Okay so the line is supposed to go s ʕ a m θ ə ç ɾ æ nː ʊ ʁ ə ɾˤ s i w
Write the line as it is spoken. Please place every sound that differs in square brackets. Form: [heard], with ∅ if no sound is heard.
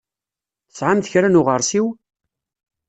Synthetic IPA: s ʕ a m θ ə ç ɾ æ [n] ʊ ʁ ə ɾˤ s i w